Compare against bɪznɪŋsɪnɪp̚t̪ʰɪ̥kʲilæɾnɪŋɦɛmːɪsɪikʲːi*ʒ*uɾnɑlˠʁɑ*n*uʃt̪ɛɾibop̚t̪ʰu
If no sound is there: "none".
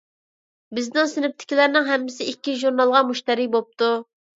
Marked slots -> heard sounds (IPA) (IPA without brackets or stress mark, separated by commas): ʒ, m